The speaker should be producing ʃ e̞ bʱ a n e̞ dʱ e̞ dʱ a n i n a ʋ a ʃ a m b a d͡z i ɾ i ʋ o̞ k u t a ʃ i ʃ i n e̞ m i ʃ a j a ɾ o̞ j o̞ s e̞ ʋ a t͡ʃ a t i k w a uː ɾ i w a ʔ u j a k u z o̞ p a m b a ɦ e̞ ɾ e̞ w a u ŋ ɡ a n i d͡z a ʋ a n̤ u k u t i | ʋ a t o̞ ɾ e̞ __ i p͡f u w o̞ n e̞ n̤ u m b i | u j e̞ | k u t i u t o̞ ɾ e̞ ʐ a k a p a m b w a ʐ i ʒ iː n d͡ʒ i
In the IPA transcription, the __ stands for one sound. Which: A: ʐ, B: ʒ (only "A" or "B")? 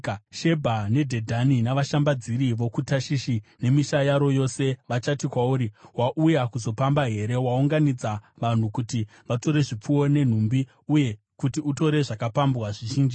A